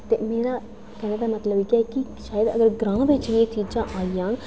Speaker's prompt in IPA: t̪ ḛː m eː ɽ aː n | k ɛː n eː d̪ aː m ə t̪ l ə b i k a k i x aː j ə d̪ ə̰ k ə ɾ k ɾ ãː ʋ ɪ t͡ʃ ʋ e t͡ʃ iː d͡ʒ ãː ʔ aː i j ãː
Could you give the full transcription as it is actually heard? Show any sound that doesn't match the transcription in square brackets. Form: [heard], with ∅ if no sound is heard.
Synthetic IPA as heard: t̪ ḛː m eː [ɾ] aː [∅] | k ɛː n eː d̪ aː m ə t̪ l ə b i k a k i [ʃ] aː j ə d̪ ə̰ [ɡ] ə ɾ [ɡ] ɾ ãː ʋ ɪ t͡ʃ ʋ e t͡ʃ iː d͡ʒ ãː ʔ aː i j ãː